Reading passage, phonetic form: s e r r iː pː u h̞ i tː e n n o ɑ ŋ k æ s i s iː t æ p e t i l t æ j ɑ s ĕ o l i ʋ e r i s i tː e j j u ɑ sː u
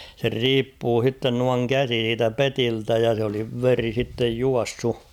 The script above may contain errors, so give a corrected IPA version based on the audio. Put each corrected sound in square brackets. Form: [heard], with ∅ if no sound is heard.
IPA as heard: s e r r iː pː [uː] h̞ i tː e n n [u] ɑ ŋ k æ s i s iː t æ p e t i l t æ j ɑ s ĕ o l i ʋ e r i s i tː e j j u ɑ sː u